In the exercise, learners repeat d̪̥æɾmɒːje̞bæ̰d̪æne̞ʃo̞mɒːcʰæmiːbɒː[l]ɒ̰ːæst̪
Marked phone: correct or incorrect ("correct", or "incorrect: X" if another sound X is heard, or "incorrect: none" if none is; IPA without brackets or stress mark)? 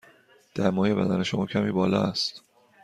correct